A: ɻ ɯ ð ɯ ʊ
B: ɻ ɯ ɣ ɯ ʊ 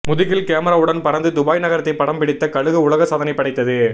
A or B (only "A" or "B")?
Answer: B